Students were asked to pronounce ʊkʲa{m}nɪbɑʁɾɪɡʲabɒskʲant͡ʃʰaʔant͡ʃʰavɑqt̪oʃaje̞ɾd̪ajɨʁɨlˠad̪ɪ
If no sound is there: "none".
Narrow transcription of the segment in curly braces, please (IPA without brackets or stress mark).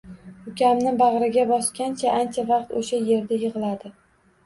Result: m